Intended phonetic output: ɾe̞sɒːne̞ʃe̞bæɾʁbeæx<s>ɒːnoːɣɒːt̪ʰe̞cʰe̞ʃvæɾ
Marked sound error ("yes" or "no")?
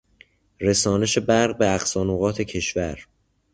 no